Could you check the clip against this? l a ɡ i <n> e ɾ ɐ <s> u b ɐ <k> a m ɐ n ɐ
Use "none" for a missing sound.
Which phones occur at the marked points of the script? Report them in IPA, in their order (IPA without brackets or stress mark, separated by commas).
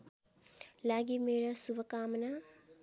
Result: m, s, k